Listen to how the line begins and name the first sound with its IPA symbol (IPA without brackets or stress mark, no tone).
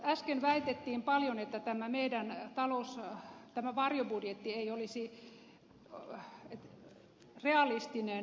æ